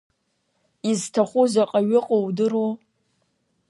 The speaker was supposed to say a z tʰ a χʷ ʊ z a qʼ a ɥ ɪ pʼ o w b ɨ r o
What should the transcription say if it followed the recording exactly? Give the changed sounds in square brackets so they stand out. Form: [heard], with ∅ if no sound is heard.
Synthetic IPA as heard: [i] z tʰ a χʷ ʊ z a qʼ a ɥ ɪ [qʼ] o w [d] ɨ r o